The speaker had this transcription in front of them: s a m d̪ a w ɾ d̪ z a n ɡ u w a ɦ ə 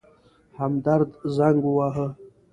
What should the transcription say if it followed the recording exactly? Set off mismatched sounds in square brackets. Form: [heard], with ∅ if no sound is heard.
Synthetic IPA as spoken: [h] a m d̪ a [∅] ɾ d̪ z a [ŋ] ɡ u w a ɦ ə